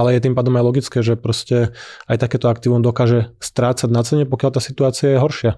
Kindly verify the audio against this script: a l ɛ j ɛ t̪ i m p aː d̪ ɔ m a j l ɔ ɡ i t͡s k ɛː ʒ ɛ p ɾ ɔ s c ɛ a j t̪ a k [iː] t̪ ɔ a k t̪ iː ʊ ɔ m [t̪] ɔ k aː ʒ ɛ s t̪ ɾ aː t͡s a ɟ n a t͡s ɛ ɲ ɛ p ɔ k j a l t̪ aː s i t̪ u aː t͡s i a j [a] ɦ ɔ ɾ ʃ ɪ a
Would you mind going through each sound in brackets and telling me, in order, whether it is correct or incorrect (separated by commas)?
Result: incorrect, incorrect, incorrect